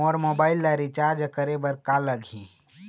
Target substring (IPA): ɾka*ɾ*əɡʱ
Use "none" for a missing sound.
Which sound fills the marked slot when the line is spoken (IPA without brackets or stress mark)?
l